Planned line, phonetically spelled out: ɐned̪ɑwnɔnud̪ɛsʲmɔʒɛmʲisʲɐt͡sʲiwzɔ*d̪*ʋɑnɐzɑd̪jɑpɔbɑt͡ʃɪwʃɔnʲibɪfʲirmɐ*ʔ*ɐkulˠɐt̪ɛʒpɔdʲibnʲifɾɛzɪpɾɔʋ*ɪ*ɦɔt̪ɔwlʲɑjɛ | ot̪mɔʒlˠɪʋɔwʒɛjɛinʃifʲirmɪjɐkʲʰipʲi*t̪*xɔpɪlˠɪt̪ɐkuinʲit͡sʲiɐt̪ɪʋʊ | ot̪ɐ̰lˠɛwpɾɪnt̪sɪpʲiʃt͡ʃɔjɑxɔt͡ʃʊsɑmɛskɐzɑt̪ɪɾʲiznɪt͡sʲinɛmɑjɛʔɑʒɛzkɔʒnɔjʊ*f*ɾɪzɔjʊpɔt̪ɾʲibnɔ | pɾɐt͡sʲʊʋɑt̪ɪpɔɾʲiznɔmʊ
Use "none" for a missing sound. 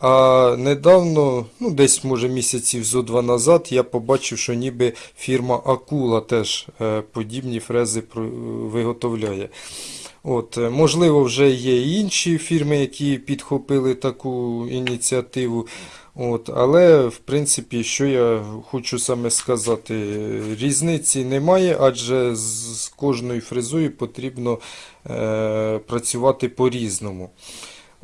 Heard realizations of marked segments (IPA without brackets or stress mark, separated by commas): d̪, ʔ, ɪ, d̪, f